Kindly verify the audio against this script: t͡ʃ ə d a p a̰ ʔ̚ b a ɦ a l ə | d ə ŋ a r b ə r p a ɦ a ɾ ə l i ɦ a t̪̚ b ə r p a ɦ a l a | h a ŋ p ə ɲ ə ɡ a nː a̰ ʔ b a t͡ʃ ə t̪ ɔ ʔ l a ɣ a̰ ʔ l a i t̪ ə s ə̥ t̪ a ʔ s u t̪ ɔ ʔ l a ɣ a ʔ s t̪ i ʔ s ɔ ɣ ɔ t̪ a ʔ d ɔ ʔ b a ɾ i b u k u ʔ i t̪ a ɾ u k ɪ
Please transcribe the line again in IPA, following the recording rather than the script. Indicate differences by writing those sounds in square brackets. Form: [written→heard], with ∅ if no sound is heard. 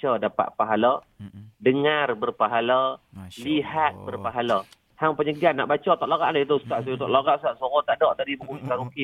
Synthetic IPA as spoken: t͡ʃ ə d a p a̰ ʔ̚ [b→p] a ɦ a l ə | d ə ŋ a r b ə r p a ɦ a [ɾ→l] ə l i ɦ a t̪̚ b ə r p a ɦ a l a | h a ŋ p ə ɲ ə ɡ a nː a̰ ʔ b a t͡ʃ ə t̪ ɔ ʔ l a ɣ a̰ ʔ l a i t̪ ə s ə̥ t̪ a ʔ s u t̪ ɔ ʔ l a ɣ a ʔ s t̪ [i→a] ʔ s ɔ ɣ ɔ t̪ a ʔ d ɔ ʔ [b→d] a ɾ i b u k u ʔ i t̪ a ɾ u k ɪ